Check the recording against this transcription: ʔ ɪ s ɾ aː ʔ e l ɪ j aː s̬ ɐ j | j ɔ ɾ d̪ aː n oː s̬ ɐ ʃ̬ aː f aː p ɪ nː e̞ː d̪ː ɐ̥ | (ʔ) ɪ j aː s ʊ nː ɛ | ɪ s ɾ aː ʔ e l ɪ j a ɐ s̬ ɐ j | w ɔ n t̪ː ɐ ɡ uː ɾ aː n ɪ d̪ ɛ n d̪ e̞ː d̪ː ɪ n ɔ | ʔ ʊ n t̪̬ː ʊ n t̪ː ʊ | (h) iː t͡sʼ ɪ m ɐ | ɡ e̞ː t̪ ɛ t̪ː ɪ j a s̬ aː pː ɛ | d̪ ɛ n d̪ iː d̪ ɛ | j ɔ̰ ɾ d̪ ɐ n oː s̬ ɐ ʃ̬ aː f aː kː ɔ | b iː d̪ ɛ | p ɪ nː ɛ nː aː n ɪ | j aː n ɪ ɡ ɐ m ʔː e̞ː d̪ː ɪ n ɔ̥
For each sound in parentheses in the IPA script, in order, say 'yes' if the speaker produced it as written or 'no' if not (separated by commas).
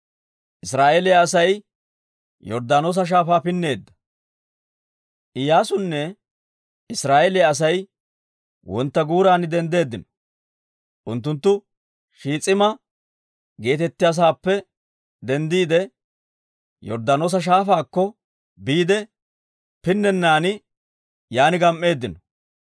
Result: yes, no